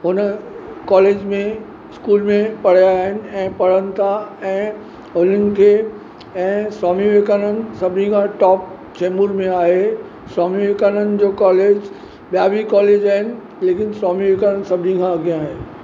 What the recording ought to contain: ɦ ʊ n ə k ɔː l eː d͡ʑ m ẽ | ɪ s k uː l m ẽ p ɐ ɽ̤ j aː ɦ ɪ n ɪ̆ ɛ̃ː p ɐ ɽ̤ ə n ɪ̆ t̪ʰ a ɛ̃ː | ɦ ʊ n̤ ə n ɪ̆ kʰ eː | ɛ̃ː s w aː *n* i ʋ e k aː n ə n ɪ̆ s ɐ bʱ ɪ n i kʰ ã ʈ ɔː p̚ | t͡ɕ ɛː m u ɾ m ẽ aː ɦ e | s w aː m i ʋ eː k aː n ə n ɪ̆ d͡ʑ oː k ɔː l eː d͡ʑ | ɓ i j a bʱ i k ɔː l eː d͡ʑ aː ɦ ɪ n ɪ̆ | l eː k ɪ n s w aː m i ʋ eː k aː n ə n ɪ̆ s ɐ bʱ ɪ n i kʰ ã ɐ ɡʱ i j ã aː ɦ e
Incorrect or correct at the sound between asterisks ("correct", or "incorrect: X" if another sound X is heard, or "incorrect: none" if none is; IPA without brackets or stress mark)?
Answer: incorrect: m